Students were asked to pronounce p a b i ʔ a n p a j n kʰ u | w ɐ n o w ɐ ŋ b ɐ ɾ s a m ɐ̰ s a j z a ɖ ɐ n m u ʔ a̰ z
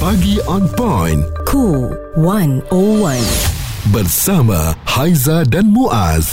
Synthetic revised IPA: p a ɡ i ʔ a n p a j n kʰ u | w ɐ n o w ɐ n b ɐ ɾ s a m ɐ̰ h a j z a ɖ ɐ n m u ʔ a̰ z